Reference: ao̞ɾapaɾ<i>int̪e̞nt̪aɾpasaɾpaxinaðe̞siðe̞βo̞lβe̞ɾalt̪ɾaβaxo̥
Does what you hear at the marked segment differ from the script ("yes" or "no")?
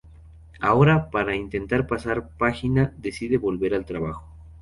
yes